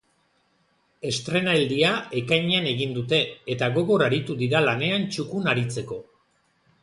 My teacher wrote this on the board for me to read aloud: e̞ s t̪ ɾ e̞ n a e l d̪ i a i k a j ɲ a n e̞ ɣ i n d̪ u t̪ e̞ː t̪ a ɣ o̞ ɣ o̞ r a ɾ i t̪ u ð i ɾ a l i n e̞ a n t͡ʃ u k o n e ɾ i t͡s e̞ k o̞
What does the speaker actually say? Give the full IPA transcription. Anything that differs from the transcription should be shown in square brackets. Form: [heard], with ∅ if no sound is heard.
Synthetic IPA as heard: e̞ s t̪ ɾ e̞ n a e l d̪ i a [e] k a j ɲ a n e̞ ɣ i n d̪ u t̪ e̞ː t̪ a ɣ o̞ ɣ o̞ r a ɾ i t̪ u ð i ɾ a l [a] n e̞ a n t͡ʃ u k [u] n [a] ɾ i t͡s e̞ k o̞